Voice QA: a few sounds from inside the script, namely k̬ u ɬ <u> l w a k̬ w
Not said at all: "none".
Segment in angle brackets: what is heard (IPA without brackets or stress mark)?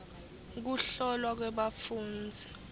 ɔ